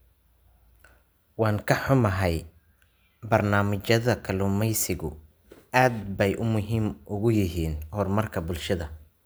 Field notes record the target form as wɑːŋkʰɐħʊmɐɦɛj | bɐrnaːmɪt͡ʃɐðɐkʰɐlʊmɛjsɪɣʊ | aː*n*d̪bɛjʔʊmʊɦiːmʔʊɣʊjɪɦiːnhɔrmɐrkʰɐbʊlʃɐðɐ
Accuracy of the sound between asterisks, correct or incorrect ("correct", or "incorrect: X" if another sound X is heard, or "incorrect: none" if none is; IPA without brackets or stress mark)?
incorrect: none